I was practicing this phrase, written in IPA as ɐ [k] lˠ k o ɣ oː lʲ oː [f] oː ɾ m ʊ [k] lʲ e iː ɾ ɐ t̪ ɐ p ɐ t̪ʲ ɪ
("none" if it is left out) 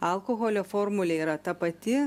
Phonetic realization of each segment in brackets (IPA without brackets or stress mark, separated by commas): none, f, none